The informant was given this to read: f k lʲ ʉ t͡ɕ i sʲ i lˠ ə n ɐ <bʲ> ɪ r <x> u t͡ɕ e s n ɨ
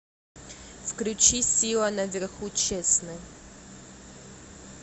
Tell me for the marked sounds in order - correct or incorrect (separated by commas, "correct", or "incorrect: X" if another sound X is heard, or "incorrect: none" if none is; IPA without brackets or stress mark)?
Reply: incorrect: vʲ, correct